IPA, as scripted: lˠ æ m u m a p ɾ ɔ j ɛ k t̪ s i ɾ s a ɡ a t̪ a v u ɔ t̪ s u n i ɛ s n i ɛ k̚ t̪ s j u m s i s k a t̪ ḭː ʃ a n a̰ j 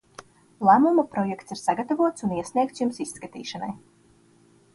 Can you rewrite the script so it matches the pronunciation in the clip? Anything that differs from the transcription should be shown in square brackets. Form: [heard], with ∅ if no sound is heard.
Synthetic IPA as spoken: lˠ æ m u m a p ɾ ɔ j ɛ k t̪ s i ɾ s a ɡ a t̪ a v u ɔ t̪ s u n i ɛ s n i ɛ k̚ t̪ s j u m s i s k a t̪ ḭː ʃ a n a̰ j